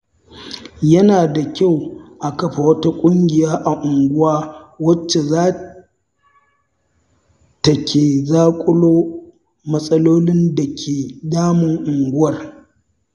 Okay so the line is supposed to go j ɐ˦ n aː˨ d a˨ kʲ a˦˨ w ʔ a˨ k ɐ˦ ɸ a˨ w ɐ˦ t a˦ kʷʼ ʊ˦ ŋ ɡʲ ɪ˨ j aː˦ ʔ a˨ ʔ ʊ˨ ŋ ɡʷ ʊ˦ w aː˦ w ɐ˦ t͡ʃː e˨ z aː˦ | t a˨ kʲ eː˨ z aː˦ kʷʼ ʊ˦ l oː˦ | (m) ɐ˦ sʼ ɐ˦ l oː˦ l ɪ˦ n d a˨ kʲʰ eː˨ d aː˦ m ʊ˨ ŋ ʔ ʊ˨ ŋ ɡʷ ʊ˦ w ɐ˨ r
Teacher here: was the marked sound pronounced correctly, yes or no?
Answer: yes